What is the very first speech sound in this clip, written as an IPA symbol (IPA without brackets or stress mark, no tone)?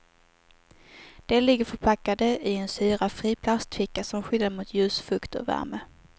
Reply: d̪̥